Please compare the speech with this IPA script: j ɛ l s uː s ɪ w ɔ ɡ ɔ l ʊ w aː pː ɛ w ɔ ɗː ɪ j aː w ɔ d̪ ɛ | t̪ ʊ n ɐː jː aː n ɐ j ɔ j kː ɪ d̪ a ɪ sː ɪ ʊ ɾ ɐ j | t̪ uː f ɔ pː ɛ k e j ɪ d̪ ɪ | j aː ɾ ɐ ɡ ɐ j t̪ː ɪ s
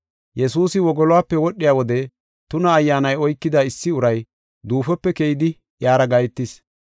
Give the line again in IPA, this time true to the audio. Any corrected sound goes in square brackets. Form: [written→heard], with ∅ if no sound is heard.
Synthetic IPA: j ɛ [l→∅] s uː s ɪ w ɔ ɡ ɔ l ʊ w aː pː ɛ w ɔ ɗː ɪ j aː w ɔ d̪ ɛ | t̪ ʊ n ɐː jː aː n ɐ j ɔ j kː ɪ d̪ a ɪ sː ɪ ʊ ɾ ɐ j | [t̪→d̪] uː f ɔ pː ɛ k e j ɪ d̪ ɪ | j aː ɾ ɐ ɡ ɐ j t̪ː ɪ s

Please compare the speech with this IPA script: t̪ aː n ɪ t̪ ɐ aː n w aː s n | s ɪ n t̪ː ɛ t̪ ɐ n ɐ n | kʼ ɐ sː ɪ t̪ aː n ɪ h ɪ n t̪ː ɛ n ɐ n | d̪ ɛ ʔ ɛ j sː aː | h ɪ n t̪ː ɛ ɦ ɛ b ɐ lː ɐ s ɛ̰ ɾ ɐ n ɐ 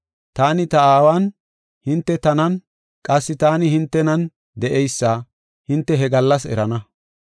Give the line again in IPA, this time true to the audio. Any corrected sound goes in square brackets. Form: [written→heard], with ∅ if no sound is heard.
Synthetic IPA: t̪ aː n ɪ t̪ ɐ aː [n→∅] w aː [s→∅] n | [s→h] ɪ n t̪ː ɛ t̪ ɐ n ɐ n | kʼ ɐ sː ɪ t̪ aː n ɪ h ɪ n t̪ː ɛ n ɐ n | d̪ ɛ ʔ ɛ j sː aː | h ɪ n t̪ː ɛ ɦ ɛ [b→ɡ] ɐ lː ɐ s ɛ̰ ɾ ɐ n ɐ

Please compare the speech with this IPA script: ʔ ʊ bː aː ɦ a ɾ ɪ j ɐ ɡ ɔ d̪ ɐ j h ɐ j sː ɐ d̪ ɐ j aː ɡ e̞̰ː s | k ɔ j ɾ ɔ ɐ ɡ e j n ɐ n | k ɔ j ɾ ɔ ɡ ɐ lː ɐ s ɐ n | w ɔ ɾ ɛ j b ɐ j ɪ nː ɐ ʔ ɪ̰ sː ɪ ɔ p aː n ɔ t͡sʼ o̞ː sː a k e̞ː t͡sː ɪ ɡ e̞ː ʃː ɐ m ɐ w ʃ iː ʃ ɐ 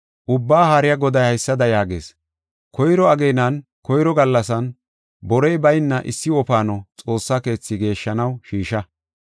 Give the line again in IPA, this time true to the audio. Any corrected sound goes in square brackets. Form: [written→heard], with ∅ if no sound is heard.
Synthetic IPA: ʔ ʊ bː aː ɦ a ɾ ɪ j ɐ ɡ ɔ d̪ ɐ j h ɐ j sː ɐ d̪ ɐ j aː ɡ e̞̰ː s | k ɔ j ɾ ɔ ɐ ɡ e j n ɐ n | k ɔ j ɾ ɔ ɡ ɐ lː ɐ s ɐ n | [w→b] ɔ ɾ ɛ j b ɐ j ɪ nː ɐ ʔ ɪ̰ sː ɪ ɔ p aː n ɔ t͡sʼ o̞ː sː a k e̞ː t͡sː ɪ ɡ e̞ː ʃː ɐ [m→n] ɐ w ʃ iː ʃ ɐ

